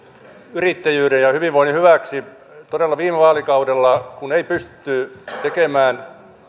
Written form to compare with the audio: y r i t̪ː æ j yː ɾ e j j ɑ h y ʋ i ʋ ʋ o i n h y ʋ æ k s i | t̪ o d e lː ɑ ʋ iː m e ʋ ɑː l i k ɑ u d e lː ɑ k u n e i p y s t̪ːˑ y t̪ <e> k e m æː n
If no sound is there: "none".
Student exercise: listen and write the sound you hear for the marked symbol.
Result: e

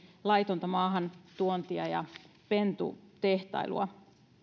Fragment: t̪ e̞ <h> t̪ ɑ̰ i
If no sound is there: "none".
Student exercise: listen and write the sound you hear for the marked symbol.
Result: h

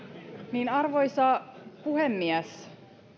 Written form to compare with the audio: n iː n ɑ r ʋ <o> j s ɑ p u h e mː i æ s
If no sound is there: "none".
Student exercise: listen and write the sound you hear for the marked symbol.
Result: o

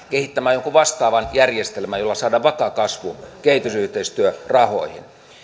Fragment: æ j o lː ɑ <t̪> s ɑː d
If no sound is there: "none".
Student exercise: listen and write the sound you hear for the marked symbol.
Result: none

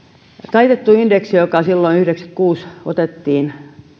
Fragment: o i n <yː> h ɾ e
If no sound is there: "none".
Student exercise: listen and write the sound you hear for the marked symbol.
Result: y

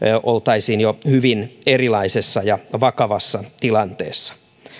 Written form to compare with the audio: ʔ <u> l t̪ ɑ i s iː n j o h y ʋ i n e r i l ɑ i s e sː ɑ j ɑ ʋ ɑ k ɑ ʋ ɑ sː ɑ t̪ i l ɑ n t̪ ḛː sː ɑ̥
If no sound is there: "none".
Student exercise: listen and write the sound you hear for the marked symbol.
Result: o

